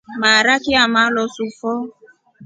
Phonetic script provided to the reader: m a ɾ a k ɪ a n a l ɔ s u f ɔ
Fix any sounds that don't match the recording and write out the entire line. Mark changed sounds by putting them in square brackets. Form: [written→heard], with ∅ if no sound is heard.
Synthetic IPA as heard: m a ɾ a k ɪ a [n→m] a l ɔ s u f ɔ